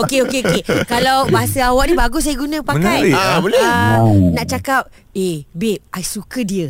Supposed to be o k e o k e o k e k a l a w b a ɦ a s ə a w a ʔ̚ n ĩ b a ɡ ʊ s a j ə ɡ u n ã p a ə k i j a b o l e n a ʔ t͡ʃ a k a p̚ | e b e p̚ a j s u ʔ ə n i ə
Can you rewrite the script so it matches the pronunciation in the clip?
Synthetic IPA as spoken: o k e o k e o k e k a l a w b a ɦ a s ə a w a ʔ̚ n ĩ b a ɡ ʊ s a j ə ɡ u n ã p a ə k a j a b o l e n a ʔ t͡ʃ a k a p̚ | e b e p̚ a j s u k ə d i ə